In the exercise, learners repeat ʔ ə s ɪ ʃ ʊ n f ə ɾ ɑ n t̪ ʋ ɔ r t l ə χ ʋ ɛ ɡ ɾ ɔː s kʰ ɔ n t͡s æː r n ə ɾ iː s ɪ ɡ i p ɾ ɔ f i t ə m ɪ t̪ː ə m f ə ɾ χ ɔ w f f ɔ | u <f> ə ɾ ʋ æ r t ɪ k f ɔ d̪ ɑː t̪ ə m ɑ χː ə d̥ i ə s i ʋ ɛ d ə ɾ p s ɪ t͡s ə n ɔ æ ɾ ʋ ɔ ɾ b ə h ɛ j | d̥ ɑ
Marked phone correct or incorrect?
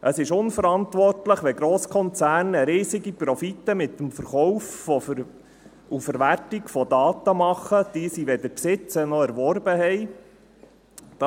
correct